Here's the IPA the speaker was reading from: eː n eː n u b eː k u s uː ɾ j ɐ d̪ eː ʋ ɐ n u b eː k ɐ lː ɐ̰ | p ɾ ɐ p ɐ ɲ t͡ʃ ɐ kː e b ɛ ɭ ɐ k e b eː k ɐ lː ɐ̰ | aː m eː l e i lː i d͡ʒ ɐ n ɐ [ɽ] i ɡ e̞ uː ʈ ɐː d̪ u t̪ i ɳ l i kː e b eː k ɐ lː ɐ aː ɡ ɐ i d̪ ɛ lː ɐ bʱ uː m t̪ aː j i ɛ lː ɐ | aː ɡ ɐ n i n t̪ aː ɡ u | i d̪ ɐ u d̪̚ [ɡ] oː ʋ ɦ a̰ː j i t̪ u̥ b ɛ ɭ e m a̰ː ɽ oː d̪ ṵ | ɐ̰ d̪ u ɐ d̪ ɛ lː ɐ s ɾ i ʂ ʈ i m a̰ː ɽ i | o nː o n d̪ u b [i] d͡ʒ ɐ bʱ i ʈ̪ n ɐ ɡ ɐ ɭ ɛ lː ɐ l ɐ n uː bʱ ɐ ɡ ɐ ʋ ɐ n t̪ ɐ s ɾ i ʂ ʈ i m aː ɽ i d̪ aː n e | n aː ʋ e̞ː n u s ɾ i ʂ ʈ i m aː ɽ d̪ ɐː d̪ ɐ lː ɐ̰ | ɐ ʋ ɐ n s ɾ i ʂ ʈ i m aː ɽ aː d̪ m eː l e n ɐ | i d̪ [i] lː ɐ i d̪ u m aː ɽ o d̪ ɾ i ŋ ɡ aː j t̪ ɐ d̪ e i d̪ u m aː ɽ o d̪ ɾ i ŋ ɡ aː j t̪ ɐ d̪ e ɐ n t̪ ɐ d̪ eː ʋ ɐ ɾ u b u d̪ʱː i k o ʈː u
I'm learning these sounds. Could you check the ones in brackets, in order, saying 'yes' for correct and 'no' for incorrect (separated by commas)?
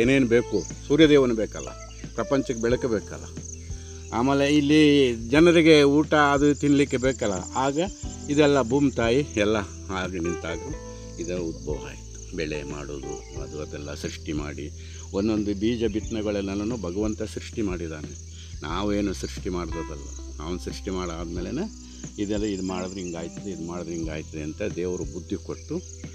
no, no, no, no